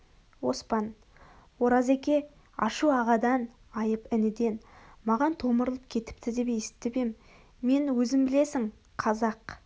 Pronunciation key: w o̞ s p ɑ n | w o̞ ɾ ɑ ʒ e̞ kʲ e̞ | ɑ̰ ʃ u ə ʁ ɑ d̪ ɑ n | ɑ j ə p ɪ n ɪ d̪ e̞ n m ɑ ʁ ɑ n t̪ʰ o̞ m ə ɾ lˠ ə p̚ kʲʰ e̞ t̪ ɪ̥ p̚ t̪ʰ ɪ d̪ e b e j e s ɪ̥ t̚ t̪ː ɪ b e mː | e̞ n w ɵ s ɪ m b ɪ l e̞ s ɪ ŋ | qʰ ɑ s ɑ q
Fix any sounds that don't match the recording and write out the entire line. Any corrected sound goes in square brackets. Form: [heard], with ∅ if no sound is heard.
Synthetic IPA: w o̞ s p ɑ n | w o̞ ɾ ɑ [z] e̞ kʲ e̞ | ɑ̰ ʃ u [ɑ] ʁ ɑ d̪ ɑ n | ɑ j ə p ɪ n ɪ d̪ e̞ n m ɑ ʁ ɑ n t̪ʰ o̞ m ə ɾ lˠ ə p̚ kʲʰ e̞ t̪ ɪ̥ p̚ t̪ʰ ɪ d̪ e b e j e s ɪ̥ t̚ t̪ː ɪ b e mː | e̞ n w ɵ [z] ɪ m b ɪ l e̞ s ɪ ŋ | qʰ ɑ [z] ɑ q